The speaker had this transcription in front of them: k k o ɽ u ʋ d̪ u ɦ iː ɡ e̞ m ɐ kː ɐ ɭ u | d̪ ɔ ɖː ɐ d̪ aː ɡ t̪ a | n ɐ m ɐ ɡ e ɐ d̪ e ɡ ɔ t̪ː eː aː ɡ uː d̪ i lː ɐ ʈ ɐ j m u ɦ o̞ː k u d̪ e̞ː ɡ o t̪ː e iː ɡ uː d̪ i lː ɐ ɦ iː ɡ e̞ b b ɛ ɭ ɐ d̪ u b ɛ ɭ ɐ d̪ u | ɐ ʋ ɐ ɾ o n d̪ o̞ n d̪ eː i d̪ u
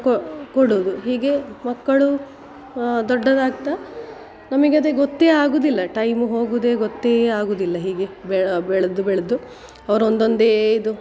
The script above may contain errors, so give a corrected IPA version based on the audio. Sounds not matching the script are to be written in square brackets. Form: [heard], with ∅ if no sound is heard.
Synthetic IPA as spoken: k k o ɽ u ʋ d̪ u ɦ iː ɡ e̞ m ɐ kː ɐ ɭ u | d̪ ɔ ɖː ɐ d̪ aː ɡ t̪ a | n ɐ m ɐ ɡ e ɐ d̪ e ɡ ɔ t̪ː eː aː ɡ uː d̪ i lː ɐ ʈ ɐ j m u ɦ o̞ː [ɡ] u d̪ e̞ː ɡ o t̪ː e [aː] ɡ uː d̪ i lː ɐ ɦ iː ɡ e̞ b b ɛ ɭ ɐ d̪ u b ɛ ɭ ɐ d̪ u | ɐ ʋ ɐ ɾ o n d̪ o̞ n d̪ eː i d̪ u